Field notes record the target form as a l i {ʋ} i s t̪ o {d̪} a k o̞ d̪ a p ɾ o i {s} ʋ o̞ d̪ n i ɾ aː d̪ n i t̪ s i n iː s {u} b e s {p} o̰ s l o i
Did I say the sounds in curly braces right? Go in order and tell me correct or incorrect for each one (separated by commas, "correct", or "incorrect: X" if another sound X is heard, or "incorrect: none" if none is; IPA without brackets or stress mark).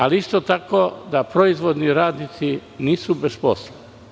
incorrect: none, incorrect: t̪, incorrect: z, correct, correct